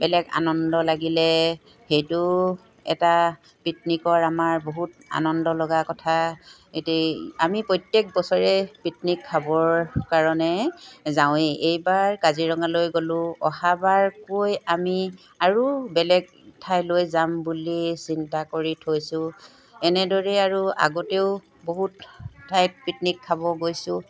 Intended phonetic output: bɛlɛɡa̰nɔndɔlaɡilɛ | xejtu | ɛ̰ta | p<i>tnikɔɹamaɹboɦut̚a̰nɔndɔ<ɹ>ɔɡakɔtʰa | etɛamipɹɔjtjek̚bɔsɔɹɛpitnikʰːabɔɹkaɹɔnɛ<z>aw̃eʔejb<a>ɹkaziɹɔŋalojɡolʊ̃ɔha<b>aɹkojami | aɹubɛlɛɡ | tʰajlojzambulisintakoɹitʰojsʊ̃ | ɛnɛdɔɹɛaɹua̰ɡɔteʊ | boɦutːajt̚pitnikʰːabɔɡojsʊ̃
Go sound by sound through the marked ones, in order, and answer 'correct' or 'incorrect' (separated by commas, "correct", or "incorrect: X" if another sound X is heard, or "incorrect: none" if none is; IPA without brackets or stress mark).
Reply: correct, incorrect: l, correct, correct, correct